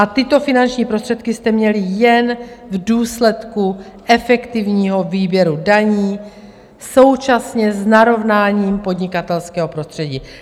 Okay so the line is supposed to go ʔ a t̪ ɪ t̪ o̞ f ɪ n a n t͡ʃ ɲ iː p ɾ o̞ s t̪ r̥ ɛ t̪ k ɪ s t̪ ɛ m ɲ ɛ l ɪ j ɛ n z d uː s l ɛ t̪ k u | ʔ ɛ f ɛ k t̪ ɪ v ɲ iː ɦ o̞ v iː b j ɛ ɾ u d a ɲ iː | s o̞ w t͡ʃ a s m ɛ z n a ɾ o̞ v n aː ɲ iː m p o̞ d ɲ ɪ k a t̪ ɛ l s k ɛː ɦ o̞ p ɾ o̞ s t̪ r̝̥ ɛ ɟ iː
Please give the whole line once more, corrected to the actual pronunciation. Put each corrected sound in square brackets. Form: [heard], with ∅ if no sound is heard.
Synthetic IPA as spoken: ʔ a t̪ ɪ t̪ o̞ f ɪ n a n t͡ʃ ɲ iː p ɾ o̞ s t̪ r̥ ɛ t̪ k ɪ s t̪ ɛ m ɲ ɛ l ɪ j ɛ n [v] d uː s l ɛ t̪ k u | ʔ ɛ f ɛ k t̪ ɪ v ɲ iː ɦ o̞ v iː b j ɛ ɾ u d a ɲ iː | s o̞ w t͡ʃ a s [ɲ] ɛ z n a ɾ o̞ v n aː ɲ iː m p o̞ d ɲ ɪ k a t̪ ɛ l s k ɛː ɦ o̞ p ɾ o̞ s t̪ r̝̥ ɛ ɟ iː